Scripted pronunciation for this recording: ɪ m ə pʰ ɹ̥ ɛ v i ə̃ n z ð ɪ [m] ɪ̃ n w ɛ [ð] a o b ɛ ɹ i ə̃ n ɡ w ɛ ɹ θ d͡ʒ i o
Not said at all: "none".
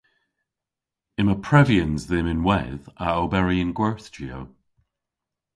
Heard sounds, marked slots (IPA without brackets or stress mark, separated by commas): m, ð